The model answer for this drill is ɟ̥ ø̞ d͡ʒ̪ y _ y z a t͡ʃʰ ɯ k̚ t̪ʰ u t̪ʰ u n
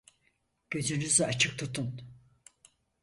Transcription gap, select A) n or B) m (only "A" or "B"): A